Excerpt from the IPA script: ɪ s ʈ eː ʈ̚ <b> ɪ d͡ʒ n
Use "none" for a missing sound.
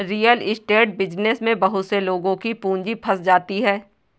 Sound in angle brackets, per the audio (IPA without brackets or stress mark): b